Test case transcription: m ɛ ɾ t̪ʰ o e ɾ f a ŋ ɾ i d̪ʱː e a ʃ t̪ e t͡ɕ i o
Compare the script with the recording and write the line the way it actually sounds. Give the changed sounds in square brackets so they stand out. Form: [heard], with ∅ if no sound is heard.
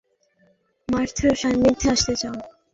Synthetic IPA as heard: m [a] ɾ t̪ʰ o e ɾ [ʃ] a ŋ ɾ i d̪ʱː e a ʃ t̪ e t͡ɕ [a] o